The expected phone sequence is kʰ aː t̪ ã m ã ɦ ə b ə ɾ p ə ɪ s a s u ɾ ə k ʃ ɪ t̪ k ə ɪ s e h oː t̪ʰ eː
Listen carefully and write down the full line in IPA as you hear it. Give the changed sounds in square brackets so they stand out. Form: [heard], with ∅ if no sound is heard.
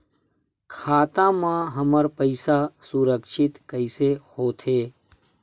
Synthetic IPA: kʰ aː t̪ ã m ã ɦ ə [m] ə ɾ p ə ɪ s a s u ɾ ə k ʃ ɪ t̪ k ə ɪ s e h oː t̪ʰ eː